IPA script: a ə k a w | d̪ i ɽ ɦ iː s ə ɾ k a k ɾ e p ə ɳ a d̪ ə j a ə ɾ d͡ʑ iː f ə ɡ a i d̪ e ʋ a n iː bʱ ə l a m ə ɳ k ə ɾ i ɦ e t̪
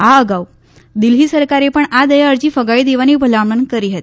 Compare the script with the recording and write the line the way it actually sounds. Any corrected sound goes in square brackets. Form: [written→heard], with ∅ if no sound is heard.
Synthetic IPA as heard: a ə [k→ɡ] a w | d̪ i [ɽ→l] ɦ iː s ə ɾ k a [k→∅] ɾ e p ə ɳ a d̪ ə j a ə ɾ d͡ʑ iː f ə ɡ a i d̪ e ʋ a n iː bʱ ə l a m ə [ɳ→n] k ə ɾ i ɦ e t̪